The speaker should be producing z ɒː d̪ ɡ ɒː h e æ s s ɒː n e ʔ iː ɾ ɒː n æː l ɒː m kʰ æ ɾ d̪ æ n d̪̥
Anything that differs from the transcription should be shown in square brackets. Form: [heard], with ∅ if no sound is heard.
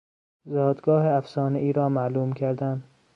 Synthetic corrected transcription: z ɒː d̪ ɡ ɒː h e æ [f] s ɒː n e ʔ iː ɾ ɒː [m] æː l [uː] m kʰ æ ɾ d̪ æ n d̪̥